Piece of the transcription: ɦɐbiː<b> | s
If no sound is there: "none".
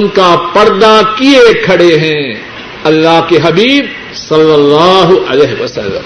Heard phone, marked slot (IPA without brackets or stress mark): b